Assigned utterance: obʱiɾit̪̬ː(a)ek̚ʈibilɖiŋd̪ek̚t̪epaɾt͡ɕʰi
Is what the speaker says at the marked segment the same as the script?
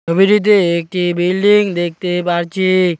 no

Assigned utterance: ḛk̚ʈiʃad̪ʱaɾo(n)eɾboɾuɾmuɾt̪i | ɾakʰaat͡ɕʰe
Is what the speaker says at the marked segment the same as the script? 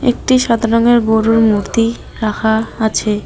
no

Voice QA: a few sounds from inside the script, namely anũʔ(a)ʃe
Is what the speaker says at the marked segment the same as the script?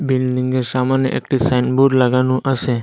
no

